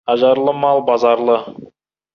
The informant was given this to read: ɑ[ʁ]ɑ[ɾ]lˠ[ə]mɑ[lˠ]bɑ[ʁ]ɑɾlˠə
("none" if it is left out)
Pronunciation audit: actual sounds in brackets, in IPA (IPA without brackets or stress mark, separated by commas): ʒ, ɾ, ə, lˠ, z